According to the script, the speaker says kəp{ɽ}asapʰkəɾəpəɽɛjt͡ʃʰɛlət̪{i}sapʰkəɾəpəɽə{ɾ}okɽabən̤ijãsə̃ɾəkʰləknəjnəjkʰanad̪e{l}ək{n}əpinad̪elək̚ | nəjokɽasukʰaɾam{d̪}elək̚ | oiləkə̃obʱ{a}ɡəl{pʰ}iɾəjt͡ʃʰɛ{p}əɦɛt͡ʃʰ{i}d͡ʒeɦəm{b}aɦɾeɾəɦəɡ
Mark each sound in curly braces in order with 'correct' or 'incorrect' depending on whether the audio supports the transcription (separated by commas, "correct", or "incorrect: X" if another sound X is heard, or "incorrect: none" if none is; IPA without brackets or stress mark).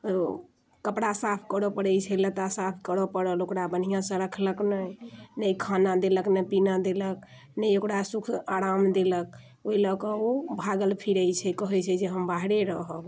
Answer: correct, incorrect: a, incorrect: l, correct, correct, correct, correct, correct, incorrect: k, incorrect: ɛ, correct